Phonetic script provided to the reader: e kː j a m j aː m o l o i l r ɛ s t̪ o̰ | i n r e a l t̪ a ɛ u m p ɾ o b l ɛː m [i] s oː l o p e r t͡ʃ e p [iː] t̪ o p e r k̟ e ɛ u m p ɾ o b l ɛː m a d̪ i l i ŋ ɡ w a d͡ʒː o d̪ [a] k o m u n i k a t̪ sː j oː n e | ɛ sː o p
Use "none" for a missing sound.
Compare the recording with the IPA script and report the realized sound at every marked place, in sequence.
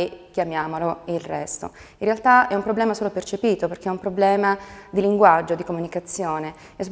a, iː, i

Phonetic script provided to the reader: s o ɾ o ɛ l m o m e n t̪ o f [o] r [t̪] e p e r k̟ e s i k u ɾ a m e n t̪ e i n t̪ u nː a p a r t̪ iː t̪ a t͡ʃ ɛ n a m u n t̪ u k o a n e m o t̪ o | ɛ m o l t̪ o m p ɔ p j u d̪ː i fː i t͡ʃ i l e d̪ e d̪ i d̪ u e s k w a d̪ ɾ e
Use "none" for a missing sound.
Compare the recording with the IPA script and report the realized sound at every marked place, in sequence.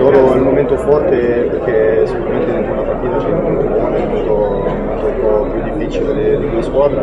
ɔ, t̪

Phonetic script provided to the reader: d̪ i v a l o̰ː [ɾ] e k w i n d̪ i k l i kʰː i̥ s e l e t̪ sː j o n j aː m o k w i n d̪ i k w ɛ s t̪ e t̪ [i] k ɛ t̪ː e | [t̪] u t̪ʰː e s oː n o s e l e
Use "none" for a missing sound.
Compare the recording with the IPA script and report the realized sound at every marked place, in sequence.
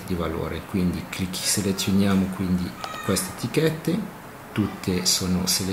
ɾ, i, t̪

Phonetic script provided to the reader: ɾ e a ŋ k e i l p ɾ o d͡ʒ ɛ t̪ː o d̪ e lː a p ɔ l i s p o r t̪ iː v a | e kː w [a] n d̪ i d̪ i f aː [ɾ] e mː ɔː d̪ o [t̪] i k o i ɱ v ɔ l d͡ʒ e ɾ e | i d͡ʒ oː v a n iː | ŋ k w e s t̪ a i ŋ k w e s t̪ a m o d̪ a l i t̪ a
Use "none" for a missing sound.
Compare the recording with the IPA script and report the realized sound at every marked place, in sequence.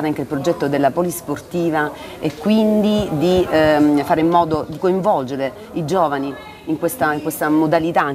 i, ɾ, d̪

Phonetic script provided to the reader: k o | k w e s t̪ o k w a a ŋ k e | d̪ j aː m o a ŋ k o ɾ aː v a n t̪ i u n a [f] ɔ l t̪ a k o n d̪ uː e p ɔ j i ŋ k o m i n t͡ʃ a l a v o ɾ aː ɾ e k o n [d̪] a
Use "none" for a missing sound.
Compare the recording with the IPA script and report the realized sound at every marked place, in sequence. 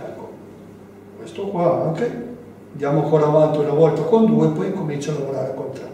v, t̪

